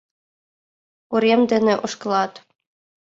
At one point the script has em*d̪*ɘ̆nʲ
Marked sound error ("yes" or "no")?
no